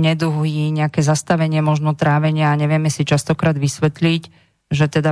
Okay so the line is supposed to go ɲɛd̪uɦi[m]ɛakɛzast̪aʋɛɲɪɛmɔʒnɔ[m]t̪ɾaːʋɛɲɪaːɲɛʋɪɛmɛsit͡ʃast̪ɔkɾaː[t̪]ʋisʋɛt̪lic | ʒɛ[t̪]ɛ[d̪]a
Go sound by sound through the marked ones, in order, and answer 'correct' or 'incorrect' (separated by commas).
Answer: incorrect, incorrect, incorrect, correct, correct